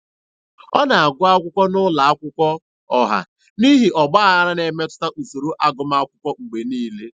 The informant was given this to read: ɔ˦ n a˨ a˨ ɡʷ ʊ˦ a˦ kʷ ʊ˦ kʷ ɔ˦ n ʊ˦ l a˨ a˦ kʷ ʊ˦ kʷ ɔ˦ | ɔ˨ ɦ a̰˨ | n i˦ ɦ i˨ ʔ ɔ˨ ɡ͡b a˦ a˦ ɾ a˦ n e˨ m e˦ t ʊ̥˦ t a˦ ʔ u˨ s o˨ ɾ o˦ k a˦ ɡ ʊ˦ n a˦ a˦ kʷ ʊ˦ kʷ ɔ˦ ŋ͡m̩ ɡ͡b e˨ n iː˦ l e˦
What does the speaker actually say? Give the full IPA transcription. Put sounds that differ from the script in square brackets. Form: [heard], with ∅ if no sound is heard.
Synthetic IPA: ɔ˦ n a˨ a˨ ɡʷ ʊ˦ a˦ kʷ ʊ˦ kʷ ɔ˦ n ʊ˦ l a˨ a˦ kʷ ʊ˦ kʷ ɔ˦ | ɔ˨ ɦ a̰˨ | n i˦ ɦ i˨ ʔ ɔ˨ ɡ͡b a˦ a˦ ɾ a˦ n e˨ m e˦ t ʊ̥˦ t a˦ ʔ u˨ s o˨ ɾ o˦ [ʔ] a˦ ɡ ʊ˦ [m] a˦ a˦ kʷ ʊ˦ kʷ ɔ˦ ŋ͡m̩ ɡ͡b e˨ n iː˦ l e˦